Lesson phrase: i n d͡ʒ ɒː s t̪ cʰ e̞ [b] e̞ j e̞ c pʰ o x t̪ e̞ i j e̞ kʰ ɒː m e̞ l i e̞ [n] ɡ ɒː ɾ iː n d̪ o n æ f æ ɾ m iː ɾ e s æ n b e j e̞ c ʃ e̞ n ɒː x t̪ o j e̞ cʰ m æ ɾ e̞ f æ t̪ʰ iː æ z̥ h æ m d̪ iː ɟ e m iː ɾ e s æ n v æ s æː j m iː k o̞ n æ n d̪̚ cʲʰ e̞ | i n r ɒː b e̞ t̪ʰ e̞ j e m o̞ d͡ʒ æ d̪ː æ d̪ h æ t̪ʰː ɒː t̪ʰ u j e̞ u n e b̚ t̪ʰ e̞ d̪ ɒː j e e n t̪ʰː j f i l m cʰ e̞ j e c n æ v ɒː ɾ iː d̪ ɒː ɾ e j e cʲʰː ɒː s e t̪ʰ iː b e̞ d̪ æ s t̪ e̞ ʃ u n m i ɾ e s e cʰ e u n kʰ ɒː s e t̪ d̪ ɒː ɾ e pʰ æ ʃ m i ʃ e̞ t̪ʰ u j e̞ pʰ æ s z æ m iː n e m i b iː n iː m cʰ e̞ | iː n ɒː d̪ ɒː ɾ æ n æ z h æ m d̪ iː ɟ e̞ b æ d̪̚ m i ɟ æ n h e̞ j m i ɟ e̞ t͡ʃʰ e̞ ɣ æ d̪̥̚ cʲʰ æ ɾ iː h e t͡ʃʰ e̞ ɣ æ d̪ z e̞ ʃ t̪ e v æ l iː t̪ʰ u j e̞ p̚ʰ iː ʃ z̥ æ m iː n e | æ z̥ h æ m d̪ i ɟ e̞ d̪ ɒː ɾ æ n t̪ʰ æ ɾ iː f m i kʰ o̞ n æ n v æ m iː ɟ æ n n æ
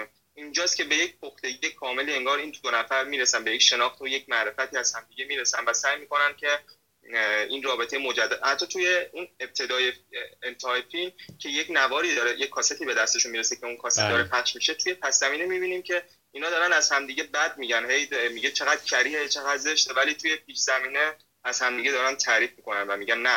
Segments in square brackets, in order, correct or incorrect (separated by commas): correct, incorrect